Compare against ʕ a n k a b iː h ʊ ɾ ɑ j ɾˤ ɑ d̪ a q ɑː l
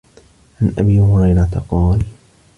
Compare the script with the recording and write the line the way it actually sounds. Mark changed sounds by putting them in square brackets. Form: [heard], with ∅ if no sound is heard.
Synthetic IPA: ʕ a n [ʔ] a b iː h ʊ ɾ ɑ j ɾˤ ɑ [t̪] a q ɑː l

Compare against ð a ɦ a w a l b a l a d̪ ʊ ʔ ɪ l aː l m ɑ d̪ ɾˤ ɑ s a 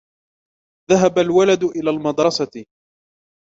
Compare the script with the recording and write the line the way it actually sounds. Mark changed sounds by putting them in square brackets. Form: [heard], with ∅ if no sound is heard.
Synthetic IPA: ð a ɦ a [b] a l [w] a l a d̪ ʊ ʔ ɪ l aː l m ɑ d̪ ɾˤ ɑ s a

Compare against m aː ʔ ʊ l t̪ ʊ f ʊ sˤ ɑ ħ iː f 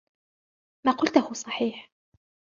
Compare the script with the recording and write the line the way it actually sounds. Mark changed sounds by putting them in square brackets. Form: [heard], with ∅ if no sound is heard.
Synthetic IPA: m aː [q] ʊ l t̪ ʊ [h] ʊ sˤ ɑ ħ iː [ħ]

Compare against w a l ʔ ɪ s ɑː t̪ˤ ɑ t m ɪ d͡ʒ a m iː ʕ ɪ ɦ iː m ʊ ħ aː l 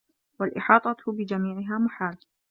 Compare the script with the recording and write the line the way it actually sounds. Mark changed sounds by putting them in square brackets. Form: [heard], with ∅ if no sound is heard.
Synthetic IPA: w a l ʔ ɪ [ħ] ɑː t̪ˤ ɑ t [b] ɪ d͡ʒ a m iː ʕ ɪ ɦ [aː] m ʊ ħ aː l

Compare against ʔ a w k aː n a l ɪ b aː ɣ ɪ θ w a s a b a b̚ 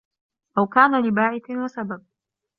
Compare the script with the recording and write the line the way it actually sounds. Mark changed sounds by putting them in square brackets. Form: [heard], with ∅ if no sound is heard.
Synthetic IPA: ʔ a w k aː n a l ɪ b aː [ʕ] ɪ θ w a s a b a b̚

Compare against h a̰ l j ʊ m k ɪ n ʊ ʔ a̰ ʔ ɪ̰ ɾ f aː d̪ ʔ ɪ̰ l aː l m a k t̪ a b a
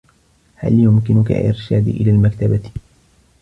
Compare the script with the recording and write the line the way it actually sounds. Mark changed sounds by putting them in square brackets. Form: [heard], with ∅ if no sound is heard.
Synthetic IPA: h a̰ l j ʊ m k ɪ n ʊ [k] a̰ ʔ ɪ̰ ɾ [ʃ] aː d̪ ʔ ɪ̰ l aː l m a k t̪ a b a

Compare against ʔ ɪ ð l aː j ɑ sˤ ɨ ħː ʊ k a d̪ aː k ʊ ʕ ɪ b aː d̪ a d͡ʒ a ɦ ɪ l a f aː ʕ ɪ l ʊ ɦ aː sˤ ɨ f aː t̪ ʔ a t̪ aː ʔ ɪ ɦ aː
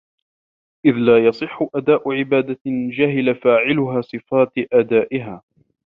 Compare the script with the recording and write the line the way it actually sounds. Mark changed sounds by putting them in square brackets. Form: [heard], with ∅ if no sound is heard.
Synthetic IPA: ʔ ɪ ð l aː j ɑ sˤ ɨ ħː ʊ [ʔ] a d̪ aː [ʔ] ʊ ʕ ɪ b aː d̪ a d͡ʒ a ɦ ɪ l a f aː ʕ ɪ l ʊ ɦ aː sˤ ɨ f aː t̪ ʔ a [d̪] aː ʔ ɪ ɦ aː

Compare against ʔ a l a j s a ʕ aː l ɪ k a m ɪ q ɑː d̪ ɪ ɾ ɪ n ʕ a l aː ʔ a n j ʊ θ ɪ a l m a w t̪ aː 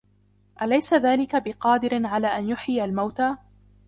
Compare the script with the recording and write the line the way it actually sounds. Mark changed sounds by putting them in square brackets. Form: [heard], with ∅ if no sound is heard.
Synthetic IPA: ʔ a l a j s a [ð] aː l ɪ k a [b] ɪ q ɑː d̪ ɪ ɾ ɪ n ʕ a l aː ʔ a n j ʊ [ħ] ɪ a l m a w t̪ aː

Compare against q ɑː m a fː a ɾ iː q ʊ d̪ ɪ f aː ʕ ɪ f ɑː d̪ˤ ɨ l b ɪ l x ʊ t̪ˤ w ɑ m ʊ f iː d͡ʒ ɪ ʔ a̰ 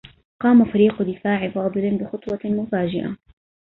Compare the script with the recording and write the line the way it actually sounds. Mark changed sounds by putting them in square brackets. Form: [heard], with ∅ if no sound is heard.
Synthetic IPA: q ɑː m a [f] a ɾ iː q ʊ d̪ ɪ f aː ʕ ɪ f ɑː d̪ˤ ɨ l b ɪ [∅] x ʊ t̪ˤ w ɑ m ʊ f [aː] d͡ʒ ɪ ʔ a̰

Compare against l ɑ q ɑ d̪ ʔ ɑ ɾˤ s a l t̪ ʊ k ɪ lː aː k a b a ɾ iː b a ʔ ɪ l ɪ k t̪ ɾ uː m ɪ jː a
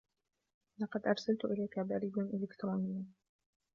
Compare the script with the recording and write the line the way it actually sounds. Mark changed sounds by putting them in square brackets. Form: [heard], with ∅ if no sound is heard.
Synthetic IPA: l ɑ q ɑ d̪ ʔ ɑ ɾˤ s a l t̪ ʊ [ʔ] ɪ [l] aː k a b a ɾ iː b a ʔ ɪ l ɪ k t̪ ɾ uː [n] ɪ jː a

